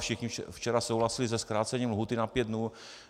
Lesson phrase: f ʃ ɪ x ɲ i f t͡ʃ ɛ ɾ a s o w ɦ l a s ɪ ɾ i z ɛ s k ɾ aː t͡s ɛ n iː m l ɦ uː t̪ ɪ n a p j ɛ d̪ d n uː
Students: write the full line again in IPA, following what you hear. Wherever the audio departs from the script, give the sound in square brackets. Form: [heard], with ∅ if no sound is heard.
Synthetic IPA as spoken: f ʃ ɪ x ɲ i f t͡ʃ ɛ ɾ a s o w ɦ l a s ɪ [l] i z ɛ s k ɾ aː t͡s ɛ [ɲ] iː m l ɦ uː t̪ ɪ n a p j ɛ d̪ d n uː